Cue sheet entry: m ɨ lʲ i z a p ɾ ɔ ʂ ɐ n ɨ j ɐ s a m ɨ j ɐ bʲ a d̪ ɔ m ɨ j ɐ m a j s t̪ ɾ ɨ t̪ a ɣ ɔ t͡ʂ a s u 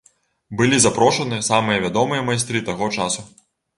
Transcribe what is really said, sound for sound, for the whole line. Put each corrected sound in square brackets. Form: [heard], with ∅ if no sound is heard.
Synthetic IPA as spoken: [b] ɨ lʲ i z a p ɾ ɔ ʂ ɐ n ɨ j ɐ s a m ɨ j ɐ [vʲ] a d̪ ɔ m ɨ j ɐ m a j s t̪ ɾ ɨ t̪ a ɣ ɔ t͡ʂ a s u